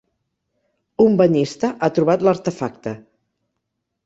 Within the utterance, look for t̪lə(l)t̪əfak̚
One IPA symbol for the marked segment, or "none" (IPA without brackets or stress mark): ɾ